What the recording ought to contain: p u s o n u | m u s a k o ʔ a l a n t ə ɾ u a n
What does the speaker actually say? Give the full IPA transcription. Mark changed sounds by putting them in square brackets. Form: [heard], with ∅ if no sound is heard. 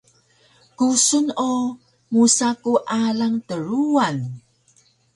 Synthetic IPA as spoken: [k] u s [u] n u | m u s a k [u] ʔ a l a [ŋ] t ə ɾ u a n